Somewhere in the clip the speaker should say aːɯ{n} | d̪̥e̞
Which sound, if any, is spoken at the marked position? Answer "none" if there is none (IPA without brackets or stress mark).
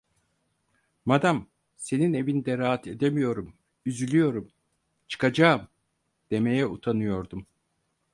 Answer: m